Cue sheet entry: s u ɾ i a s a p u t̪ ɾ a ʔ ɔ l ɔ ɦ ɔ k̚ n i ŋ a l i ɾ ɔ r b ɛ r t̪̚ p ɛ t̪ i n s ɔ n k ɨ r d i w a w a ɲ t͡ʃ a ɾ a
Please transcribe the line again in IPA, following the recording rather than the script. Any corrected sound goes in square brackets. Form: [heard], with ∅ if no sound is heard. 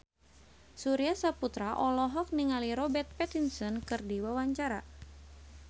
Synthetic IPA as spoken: s u ɾ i a s a p u t̪ ɾ a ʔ ɔ l ɔ ɦ ɔ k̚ n i ŋ a l i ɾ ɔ [∅] b ɛ r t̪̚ p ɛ t̪ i n s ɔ n k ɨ r d i w a w a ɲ t͡ʃ a ɾ a